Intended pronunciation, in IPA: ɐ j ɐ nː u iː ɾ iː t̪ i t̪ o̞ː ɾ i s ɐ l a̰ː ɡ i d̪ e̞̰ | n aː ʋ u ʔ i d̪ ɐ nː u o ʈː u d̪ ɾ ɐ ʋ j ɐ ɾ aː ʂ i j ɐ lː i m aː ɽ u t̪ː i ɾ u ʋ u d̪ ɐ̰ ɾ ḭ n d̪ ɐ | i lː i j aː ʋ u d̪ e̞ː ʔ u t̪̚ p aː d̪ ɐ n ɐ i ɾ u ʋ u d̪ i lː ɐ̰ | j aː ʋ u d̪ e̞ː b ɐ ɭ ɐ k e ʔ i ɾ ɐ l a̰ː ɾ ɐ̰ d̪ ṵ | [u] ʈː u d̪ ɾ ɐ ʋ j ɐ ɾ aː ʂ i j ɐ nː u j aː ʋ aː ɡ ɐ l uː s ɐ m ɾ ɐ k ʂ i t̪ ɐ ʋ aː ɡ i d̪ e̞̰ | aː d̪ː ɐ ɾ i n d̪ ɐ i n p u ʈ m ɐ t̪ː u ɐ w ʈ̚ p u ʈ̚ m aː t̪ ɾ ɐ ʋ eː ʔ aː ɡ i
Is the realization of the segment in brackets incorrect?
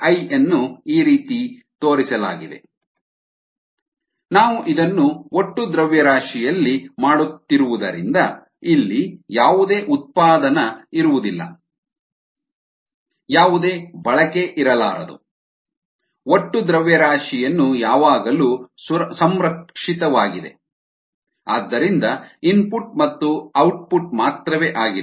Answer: yes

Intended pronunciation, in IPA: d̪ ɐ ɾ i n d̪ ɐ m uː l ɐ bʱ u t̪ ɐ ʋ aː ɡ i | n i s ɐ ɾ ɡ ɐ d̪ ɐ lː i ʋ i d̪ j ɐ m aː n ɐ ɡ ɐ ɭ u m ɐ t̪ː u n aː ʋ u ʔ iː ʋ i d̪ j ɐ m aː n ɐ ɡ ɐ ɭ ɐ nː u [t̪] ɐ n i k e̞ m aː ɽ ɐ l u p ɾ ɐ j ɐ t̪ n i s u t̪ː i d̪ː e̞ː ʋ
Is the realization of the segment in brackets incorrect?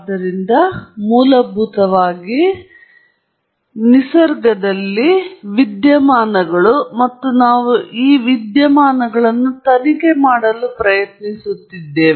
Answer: no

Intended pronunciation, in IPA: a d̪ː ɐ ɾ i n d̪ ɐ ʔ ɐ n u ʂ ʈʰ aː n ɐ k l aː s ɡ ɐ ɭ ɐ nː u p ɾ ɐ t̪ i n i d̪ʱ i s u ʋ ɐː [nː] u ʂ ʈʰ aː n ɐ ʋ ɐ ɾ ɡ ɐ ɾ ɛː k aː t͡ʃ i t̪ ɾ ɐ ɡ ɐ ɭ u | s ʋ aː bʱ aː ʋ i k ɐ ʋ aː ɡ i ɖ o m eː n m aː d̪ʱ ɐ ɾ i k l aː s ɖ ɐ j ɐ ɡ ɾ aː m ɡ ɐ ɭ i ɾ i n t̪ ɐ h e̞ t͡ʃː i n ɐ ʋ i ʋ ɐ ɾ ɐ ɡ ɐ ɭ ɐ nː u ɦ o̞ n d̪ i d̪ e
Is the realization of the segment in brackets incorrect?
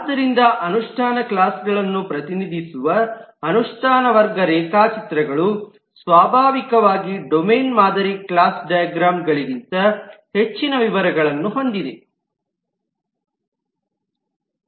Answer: yes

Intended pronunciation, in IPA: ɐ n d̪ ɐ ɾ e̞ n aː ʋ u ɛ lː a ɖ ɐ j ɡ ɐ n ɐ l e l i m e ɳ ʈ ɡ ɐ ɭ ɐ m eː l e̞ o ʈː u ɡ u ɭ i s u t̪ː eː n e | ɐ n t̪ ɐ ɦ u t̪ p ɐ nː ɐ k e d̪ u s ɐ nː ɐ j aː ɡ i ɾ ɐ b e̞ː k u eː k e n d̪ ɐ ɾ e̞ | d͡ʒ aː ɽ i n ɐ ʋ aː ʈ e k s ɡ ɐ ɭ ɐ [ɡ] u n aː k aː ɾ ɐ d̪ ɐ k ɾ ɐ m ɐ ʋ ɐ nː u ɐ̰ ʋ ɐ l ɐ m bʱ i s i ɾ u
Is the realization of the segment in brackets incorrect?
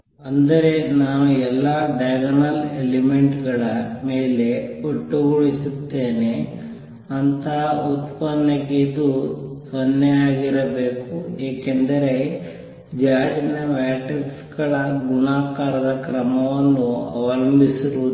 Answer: no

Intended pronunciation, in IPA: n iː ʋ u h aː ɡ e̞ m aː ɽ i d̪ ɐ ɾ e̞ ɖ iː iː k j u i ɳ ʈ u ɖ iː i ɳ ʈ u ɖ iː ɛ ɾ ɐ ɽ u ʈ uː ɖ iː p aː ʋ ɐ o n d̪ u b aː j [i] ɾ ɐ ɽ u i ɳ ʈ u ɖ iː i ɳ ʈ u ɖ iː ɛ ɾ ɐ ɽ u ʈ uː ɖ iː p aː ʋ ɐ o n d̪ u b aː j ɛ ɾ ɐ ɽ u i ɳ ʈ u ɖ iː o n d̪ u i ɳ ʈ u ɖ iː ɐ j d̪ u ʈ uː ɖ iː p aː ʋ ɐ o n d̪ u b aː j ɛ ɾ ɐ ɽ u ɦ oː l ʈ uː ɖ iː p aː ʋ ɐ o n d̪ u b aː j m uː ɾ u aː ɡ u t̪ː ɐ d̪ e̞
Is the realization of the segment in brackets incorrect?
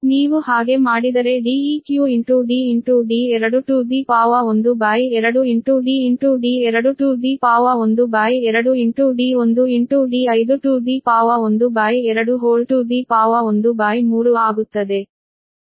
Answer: yes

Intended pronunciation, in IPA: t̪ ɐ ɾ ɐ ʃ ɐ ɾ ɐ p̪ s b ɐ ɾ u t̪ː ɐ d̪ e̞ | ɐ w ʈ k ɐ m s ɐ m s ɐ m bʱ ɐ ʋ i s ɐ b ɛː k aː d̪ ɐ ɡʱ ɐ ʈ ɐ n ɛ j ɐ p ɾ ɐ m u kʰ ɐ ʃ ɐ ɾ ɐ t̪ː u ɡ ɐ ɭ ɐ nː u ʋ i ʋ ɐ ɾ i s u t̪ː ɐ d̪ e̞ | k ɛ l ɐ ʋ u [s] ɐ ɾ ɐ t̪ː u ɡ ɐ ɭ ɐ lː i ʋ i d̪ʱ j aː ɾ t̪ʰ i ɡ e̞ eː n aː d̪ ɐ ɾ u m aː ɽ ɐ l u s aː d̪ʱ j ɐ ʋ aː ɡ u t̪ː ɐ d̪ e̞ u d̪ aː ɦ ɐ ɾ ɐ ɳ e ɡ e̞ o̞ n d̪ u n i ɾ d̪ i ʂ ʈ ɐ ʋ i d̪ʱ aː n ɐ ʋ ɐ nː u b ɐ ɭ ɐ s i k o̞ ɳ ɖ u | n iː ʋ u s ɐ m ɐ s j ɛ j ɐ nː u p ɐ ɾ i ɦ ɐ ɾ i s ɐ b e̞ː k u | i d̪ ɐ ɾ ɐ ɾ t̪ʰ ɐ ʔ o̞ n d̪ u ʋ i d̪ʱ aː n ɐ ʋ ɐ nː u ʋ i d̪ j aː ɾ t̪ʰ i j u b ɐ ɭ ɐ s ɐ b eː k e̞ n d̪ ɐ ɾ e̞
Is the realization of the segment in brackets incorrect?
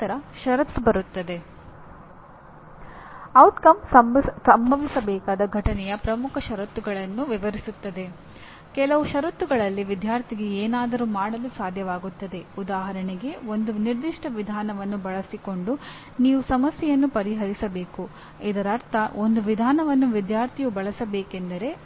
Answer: yes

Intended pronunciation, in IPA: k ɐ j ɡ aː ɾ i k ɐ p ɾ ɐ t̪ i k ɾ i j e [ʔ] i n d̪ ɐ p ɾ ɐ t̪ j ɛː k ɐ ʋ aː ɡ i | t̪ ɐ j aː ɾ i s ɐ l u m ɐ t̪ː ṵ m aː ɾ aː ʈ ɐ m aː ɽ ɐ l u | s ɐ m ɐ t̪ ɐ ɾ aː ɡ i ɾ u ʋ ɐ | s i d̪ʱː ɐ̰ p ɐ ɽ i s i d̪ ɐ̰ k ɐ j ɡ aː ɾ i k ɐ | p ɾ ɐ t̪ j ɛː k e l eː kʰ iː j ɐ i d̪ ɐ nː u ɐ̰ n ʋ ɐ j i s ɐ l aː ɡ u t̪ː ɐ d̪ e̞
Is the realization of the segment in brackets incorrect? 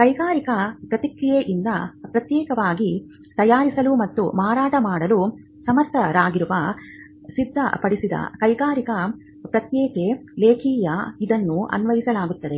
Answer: no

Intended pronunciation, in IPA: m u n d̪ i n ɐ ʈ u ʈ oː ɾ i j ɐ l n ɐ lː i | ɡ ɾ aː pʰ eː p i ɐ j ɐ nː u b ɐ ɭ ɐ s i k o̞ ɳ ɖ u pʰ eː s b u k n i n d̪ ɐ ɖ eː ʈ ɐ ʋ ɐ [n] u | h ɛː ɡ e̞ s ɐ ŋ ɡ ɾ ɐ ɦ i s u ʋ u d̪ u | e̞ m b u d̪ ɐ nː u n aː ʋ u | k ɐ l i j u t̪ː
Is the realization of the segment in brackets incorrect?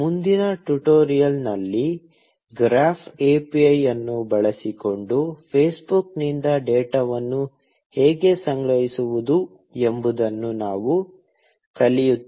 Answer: yes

